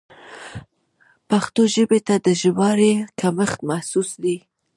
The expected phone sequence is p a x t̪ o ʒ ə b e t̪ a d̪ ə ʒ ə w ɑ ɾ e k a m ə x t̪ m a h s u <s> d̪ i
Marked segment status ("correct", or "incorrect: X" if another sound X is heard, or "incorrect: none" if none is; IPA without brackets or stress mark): correct